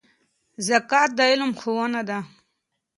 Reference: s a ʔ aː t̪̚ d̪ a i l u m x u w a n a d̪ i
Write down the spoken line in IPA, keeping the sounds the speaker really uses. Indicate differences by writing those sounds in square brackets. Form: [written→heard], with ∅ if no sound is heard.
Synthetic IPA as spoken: [s→z] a [ʔ→k] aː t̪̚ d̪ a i l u m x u w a n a d̪ [i→a]